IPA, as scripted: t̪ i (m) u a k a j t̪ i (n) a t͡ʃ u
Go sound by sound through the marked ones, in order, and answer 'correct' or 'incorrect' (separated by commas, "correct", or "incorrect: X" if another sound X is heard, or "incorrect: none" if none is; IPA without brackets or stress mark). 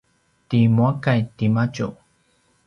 correct, incorrect: m